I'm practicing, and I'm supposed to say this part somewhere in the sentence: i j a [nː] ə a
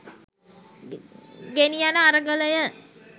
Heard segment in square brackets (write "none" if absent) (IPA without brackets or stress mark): n